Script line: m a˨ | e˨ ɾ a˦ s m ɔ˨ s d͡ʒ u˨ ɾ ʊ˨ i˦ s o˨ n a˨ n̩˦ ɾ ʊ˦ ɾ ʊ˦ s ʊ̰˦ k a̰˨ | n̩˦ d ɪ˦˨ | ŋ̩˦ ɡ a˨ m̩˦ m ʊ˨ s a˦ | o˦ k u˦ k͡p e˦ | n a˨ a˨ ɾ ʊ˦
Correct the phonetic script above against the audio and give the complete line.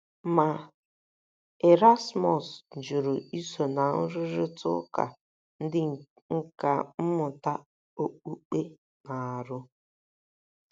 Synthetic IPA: m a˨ | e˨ ɾ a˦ s m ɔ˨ s d͡ʒ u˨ ɾ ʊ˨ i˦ s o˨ n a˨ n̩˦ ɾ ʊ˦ ɾ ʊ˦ t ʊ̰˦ k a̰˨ | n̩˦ d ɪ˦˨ | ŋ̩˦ k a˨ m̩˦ m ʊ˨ t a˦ | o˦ k͡p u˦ k͡p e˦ | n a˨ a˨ ɾ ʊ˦

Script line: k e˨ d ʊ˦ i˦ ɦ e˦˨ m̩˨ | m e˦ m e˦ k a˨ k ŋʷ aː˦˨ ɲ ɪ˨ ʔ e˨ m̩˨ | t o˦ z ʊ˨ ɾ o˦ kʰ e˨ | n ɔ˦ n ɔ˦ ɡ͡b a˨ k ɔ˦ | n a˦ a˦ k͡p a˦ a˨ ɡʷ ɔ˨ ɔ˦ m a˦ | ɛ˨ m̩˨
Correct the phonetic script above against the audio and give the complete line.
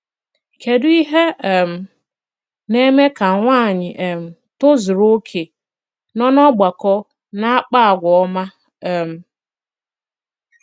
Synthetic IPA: k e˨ d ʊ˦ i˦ ɦ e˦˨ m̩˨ | n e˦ m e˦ k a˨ ŋʷ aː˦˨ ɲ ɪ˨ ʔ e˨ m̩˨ | t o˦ z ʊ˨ ɾ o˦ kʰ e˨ | n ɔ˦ n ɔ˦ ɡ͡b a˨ k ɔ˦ | n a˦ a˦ k͡p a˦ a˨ ɡʷ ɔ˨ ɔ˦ m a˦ | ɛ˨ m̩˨

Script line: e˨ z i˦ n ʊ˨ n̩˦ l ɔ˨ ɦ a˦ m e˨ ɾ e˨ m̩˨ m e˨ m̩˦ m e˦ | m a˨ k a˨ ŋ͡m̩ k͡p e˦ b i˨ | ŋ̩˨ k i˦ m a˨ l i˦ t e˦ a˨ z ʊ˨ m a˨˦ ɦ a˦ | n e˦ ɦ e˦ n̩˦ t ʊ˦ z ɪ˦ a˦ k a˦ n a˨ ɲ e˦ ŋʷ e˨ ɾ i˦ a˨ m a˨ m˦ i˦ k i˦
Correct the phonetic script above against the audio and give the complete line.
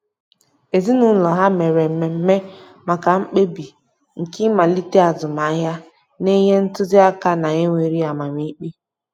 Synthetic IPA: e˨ z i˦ n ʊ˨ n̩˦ l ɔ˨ ɦ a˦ m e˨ ɾ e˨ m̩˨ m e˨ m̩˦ m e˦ | m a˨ k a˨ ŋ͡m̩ k͡p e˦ b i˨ | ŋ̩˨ k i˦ m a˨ l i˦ t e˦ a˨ z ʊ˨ m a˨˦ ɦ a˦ | n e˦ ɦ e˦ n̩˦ t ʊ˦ z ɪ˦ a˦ k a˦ n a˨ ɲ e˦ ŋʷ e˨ ɾ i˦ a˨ m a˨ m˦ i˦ k͡p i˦

